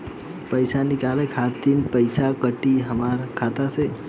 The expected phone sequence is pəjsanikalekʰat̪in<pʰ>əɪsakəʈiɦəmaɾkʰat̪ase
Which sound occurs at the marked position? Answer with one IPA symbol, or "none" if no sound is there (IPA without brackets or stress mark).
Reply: p